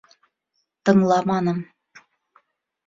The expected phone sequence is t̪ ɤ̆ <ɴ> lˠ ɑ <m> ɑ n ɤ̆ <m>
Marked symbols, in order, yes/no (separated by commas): no, yes, yes